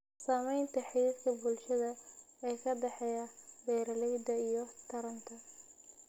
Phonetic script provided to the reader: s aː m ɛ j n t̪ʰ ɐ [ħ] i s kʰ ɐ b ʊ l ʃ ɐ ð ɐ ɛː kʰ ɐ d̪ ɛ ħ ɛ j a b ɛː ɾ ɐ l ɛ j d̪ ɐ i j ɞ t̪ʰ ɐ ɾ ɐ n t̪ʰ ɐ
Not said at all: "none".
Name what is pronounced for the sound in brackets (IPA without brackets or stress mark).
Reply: ħ